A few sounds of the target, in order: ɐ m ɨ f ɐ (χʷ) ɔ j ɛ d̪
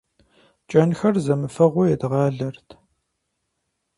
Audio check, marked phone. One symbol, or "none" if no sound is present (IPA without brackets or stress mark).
ʁʷ